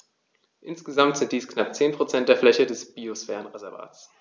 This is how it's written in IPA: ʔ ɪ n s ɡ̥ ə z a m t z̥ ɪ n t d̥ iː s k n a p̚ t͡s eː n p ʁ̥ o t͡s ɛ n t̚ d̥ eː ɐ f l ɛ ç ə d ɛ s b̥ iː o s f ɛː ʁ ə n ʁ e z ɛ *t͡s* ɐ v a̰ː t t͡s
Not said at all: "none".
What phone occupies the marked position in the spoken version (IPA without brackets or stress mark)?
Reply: none